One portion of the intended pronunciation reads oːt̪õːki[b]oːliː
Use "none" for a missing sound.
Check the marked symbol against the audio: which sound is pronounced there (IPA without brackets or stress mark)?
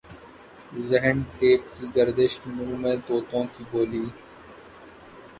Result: b